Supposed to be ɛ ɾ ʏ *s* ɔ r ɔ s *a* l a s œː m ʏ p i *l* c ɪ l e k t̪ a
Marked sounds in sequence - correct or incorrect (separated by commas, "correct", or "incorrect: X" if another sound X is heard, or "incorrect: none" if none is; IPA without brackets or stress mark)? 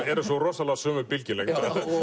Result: correct, correct, correct